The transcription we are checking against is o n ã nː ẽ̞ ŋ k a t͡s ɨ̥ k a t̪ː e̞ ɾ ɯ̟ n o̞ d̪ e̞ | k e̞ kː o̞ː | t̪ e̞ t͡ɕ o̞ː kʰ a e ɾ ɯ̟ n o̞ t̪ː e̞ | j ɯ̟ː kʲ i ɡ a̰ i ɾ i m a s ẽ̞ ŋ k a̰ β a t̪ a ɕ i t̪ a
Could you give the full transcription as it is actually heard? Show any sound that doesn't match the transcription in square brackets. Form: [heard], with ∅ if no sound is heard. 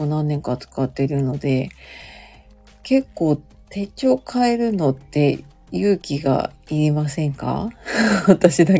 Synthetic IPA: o n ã nː ẽ̞ ŋ k a t͡s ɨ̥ k a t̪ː e̞ ɾ ɯ̟ n o̞ d̪ e̞ | k e̞ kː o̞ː | t̪ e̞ t͡ɕ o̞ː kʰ a e ɾ ɯ̟ n o̞ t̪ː e̞ | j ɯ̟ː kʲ i ɡ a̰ i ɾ i m a s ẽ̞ ŋ k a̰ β a t̪ a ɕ i [d̪] a